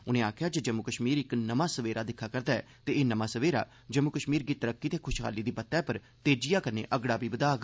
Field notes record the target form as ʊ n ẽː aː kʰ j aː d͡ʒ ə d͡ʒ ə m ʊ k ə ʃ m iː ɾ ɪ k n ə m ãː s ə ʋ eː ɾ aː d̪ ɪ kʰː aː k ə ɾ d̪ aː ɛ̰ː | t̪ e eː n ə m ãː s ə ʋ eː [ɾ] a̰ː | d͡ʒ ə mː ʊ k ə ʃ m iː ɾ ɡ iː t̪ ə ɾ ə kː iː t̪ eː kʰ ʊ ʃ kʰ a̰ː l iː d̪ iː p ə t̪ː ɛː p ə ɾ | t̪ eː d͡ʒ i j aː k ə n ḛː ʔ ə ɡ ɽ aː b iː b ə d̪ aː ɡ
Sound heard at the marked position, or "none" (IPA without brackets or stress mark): ɾ